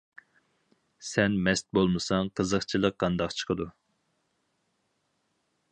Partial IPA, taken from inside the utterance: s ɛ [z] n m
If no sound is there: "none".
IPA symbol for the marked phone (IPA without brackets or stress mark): none